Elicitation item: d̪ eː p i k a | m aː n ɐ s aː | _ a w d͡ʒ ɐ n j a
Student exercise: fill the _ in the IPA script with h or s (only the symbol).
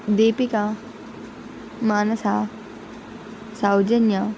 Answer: s